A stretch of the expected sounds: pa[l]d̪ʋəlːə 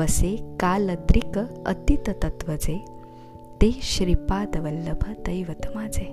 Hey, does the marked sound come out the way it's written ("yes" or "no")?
no